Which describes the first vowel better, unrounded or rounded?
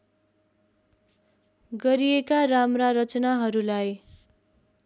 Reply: unrounded